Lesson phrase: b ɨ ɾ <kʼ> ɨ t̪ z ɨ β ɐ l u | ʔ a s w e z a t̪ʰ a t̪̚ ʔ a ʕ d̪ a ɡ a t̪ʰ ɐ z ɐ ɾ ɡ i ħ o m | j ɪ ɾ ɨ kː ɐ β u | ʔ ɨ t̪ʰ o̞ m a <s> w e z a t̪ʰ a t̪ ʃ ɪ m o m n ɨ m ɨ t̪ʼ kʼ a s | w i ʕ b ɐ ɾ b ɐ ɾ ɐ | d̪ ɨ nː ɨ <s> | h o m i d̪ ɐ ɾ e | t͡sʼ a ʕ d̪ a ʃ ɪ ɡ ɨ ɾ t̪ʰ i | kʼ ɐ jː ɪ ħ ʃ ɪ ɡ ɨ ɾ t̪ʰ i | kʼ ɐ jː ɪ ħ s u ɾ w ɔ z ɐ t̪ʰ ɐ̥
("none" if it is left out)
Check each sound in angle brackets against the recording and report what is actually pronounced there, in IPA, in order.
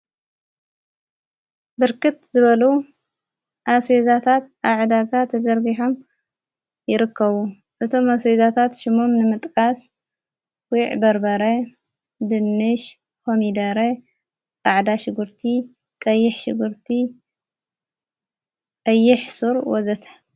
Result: k, s, ʃ

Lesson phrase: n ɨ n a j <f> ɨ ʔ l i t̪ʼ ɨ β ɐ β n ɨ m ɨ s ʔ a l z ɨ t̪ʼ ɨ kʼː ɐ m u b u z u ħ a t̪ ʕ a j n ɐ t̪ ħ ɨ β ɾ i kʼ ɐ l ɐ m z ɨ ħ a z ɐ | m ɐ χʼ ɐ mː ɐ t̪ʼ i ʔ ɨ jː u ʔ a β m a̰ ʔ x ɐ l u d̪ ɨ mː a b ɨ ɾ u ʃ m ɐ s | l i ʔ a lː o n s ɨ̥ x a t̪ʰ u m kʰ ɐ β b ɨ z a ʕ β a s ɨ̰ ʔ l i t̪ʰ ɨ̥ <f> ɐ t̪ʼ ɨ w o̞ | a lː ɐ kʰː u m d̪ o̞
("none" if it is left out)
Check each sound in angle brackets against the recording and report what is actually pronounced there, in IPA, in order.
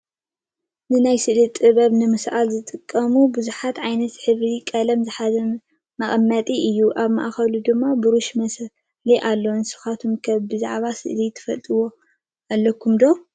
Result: s, f

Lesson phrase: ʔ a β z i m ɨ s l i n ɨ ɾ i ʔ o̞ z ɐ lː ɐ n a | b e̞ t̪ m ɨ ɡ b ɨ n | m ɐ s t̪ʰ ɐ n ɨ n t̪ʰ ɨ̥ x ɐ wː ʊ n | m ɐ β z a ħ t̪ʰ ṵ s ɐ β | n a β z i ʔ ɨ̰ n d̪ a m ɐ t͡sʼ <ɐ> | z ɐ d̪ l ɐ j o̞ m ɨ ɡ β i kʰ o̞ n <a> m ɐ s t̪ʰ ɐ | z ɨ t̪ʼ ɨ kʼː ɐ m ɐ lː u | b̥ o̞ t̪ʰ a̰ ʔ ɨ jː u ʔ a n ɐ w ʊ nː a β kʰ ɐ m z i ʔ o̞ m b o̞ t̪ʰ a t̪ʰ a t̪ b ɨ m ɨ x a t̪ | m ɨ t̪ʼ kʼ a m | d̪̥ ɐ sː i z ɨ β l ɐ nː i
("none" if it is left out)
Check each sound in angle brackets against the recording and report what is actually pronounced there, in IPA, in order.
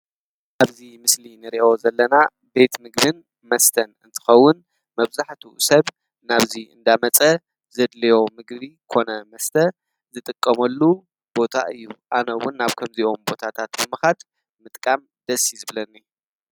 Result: ɐ, ɐ

